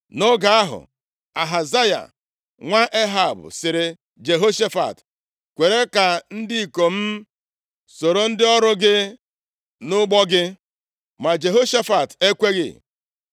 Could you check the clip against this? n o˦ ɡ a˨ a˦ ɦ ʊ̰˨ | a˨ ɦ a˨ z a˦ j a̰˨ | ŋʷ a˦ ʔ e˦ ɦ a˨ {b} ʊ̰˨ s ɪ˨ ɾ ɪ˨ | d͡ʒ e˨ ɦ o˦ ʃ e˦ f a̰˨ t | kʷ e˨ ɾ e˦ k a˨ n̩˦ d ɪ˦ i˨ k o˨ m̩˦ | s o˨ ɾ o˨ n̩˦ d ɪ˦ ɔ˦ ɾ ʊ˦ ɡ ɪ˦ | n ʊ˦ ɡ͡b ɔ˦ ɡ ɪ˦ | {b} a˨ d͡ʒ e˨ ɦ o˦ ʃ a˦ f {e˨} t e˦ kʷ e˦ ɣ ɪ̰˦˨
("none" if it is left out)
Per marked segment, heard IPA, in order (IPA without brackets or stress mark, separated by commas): b, m, a˨